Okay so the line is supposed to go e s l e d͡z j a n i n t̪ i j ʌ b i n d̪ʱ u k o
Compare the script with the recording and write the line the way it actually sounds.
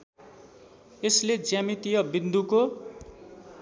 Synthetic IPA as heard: e s l e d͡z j a m i t̪ i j ʌ b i n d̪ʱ u k o

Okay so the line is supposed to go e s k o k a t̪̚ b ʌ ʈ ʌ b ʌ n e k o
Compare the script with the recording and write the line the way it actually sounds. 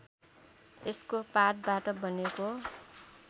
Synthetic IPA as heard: e s k o p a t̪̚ b a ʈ ʌ b ʌ n e k o

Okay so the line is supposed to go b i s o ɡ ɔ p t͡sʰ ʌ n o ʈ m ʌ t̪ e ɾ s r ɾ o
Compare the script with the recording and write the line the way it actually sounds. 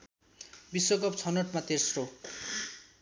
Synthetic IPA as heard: b i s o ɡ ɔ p t͡sʰ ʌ n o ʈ m a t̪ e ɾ s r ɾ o

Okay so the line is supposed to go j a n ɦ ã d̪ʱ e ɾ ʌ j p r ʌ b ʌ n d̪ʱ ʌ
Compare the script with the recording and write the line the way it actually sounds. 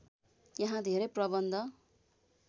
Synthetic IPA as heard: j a ɦ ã d̪ʱ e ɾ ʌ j p r ʌ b ʌ n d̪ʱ ʌ

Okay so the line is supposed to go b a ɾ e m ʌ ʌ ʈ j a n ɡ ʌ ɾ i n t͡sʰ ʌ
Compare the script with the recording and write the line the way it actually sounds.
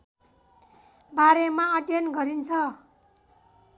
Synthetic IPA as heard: b a ɾ e m a ʌ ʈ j ʌ n ɡ ʌ ɾ i n t͡sʰ ʌ

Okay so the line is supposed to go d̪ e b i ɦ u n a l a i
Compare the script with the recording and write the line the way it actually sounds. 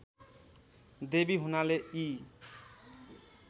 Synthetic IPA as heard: d̪ e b i ɦ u n a l e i

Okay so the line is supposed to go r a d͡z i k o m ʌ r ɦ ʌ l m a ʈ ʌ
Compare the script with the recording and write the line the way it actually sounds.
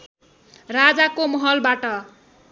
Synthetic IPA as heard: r a d͡z a k o m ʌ ɦ ʌ l b a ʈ ʌ

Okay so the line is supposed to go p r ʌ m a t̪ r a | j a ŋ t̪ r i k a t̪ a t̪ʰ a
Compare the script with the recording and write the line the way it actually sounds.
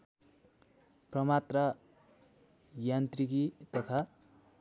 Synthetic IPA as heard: p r ʌ m a t̪ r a | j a n t̪ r i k i t̪ ʌ t̪ʰ a

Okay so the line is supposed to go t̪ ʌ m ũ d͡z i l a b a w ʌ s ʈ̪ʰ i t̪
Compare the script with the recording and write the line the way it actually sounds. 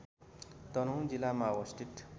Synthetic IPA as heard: t̪ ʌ n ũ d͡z i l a m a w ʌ s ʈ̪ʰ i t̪

